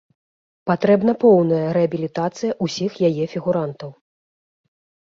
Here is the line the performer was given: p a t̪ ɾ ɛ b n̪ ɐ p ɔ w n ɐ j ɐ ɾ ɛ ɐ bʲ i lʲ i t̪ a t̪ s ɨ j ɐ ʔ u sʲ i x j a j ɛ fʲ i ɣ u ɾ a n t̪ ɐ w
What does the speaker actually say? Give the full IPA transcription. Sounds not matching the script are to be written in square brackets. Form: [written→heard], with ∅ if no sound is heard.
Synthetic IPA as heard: p a t̪ ɾ ɛ b n̪ ɐ p ɔ w n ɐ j ɐ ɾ ɛ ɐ bʲ i lʲ i t̪ a t̪ s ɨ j ɐ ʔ u sʲ i x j a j ɛ fʲ i ɣ u ɾ a n t̪ ɐ w